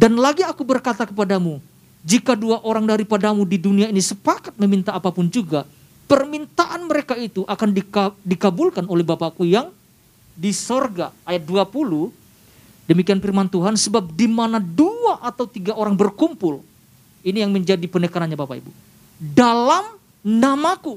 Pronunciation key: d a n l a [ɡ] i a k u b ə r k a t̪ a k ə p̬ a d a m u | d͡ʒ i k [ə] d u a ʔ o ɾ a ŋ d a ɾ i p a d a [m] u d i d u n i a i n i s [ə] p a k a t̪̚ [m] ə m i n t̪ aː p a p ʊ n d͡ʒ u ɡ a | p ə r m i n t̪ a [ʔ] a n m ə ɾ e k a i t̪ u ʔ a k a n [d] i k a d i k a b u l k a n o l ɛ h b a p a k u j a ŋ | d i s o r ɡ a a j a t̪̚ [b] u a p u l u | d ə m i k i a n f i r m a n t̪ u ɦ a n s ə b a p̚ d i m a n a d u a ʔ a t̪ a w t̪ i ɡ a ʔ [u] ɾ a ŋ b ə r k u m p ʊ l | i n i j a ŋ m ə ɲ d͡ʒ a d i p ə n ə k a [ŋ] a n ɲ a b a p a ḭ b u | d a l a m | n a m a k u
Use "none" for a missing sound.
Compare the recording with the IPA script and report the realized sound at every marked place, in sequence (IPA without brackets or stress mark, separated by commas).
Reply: ɡ, a, m, ə, m, ʔ, d, d, o, n